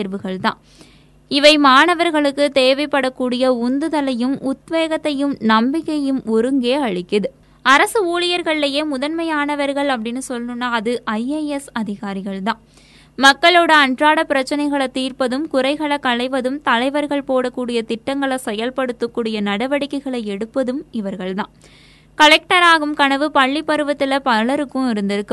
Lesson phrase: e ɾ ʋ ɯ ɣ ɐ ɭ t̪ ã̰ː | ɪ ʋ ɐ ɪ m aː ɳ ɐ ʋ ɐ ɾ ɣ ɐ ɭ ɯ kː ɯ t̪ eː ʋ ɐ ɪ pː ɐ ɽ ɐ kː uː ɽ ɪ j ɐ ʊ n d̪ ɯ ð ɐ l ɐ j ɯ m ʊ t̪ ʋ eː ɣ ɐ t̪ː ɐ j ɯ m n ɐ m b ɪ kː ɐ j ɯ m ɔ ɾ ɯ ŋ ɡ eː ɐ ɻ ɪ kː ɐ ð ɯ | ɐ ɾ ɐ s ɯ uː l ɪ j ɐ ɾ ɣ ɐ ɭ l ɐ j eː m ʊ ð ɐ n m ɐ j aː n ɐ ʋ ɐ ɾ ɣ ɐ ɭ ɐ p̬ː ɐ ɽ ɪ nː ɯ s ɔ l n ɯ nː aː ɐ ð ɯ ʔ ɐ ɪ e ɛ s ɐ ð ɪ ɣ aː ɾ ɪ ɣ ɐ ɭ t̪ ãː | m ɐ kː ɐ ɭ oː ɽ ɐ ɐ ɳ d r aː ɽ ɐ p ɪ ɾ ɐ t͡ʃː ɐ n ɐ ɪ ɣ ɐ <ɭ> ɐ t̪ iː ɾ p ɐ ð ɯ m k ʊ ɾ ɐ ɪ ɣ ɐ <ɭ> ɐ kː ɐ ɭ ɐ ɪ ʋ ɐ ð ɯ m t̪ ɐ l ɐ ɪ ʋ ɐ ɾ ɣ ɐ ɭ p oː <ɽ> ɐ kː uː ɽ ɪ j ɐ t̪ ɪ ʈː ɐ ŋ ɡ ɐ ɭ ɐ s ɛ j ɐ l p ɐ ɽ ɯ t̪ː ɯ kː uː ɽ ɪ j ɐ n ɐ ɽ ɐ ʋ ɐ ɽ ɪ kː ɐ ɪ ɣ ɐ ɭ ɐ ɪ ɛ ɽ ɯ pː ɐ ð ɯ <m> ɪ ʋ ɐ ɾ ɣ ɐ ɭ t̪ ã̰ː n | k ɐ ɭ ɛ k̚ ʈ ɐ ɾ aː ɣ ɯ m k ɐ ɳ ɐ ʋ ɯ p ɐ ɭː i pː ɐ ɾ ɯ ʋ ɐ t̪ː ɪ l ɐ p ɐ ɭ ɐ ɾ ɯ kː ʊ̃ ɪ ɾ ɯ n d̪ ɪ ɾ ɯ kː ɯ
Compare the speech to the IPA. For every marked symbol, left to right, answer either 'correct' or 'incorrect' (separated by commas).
correct, correct, correct, correct